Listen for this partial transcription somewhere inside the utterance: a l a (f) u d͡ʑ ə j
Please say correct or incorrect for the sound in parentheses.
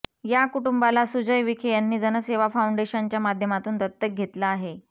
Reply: incorrect